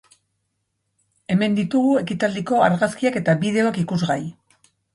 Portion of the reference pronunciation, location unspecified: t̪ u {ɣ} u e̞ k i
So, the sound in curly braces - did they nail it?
yes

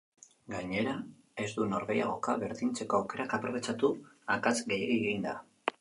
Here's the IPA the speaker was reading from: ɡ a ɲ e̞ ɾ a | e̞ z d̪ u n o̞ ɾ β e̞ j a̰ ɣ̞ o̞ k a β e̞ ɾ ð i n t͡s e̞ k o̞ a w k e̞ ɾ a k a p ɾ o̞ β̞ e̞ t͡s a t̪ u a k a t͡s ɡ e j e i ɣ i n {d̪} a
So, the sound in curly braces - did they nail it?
yes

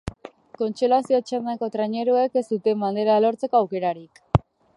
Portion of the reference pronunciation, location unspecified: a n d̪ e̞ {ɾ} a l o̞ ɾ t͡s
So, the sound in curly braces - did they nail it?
yes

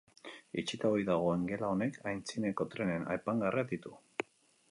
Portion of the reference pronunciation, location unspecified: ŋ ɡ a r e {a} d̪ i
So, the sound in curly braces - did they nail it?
yes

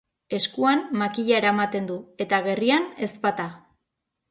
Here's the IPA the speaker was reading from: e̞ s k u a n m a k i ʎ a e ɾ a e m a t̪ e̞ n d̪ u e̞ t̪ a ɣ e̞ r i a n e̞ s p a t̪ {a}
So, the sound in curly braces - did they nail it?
yes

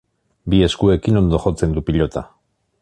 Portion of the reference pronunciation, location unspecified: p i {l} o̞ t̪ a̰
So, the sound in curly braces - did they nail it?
no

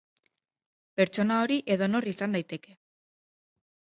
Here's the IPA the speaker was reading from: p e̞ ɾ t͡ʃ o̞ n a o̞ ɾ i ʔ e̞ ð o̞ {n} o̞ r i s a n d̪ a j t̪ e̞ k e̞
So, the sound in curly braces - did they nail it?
yes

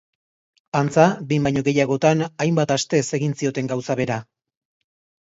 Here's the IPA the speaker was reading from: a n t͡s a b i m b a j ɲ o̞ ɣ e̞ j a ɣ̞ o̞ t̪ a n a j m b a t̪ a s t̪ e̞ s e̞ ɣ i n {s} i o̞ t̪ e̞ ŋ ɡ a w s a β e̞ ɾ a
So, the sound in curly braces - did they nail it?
yes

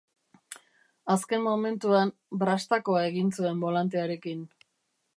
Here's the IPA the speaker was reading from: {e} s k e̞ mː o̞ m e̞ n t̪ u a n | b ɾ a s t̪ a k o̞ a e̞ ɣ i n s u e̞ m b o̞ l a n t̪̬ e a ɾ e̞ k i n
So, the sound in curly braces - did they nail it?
no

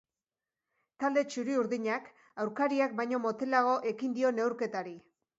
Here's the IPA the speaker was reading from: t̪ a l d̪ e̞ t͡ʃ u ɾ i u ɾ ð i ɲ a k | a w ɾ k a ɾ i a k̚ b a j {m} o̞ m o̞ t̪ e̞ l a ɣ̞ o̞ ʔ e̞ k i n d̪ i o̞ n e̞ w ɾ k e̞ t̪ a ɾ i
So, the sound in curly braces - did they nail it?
no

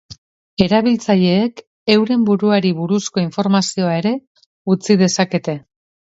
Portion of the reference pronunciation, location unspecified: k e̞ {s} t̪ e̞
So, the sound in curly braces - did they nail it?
no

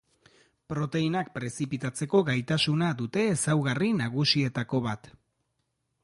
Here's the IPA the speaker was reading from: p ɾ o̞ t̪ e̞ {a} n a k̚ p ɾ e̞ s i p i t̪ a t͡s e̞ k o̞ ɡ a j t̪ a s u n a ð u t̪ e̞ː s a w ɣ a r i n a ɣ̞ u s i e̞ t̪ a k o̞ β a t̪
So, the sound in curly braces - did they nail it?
no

